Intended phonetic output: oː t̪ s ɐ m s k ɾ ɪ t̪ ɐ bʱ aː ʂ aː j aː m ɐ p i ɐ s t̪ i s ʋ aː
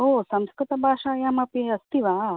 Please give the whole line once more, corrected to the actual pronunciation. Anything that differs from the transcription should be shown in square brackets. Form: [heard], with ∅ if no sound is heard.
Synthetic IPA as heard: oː [∅] s ɐ m s k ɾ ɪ t̪ ɐ bʱ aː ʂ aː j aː m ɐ p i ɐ s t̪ i [∅] ʋ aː